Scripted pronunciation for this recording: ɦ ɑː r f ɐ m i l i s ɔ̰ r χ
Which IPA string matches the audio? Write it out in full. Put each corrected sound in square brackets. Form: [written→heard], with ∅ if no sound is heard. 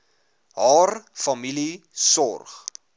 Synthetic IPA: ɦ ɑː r f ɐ m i l i s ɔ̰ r χ

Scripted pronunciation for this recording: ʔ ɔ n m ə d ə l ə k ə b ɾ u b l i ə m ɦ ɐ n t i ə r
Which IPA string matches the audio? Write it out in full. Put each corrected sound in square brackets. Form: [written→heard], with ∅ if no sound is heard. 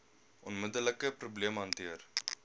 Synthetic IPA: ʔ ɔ n m ə d ə l ə k ə [b→p] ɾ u b l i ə m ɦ ɐ n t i ə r

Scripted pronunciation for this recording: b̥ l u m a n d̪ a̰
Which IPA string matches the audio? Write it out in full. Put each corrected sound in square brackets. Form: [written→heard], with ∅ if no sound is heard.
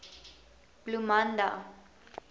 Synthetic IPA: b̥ l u m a n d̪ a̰

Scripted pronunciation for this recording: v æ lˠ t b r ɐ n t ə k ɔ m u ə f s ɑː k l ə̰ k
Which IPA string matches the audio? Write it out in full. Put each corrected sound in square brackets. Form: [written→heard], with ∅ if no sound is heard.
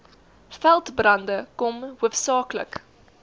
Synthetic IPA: [v→f] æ lˠ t b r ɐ n [t→d] ə k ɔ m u ə f s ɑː k l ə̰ k

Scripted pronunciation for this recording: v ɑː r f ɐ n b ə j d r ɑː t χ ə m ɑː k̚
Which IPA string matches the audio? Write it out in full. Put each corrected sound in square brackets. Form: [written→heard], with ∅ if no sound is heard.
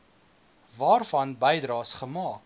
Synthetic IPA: v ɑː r f ɐ n b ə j d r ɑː [t→s] χ ə m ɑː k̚

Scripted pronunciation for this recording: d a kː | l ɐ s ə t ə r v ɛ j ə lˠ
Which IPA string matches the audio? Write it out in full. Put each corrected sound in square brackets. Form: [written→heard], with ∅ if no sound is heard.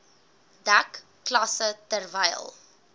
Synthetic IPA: d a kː | l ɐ s ə t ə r v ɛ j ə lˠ

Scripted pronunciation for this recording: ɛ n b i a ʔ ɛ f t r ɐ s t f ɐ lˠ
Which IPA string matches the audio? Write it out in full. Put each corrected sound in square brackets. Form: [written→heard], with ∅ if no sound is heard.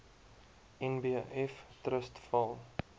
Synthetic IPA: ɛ n b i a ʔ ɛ f t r [ɐ→ə] s t f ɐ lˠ

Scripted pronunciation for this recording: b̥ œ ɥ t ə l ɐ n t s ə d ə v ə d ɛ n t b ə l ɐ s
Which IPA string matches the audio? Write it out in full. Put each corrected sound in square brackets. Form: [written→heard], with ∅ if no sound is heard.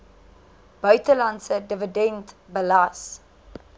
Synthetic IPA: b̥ œ ɥ t ə l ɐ n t s ə d ə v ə d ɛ n t b ə l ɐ s

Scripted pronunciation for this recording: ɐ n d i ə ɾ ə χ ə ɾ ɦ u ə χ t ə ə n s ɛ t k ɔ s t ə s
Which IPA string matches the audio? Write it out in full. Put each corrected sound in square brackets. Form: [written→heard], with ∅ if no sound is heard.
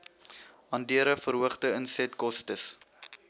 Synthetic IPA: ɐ n d i ə ɾ ə [χ→f] ə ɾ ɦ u ə χ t ə ə n s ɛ t k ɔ s t ə s

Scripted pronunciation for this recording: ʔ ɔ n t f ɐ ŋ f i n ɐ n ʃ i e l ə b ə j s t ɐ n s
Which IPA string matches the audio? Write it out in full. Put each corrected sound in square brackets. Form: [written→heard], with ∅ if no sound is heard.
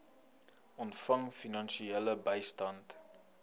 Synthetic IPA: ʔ ɔ n t f ɐ ŋ f i n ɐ n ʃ i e l ə b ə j s t ɐ n [s→t]

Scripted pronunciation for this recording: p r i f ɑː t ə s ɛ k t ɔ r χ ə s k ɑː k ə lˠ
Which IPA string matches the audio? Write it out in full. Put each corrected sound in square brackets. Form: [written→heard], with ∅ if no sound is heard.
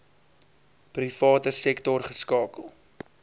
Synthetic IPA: p r i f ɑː t ə s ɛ k t ɔ r χ ə s k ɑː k ə lˠ

